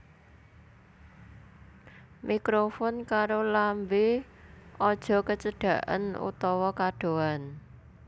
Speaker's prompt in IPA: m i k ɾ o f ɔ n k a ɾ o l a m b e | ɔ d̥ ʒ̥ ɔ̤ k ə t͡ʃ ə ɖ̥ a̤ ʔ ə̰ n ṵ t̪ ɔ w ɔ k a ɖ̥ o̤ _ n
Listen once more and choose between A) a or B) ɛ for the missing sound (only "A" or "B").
A